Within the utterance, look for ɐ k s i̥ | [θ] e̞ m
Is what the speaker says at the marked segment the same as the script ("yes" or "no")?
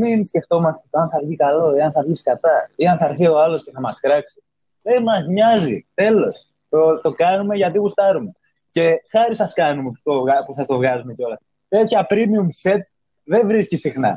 no